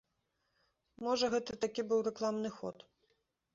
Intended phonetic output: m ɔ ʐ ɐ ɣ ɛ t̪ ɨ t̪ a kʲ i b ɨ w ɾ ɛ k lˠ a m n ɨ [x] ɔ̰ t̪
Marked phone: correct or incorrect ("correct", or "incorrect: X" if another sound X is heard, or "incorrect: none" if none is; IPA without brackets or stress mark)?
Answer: correct